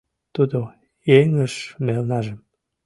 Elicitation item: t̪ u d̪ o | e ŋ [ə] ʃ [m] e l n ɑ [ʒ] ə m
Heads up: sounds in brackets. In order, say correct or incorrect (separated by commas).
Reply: correct, correct, correct